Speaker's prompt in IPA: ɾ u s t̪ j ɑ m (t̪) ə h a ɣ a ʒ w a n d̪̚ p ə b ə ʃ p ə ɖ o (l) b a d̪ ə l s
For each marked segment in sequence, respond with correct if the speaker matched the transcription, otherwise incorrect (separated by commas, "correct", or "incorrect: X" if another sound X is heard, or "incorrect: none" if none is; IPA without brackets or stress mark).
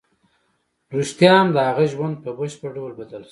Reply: incorrect: d̪, correct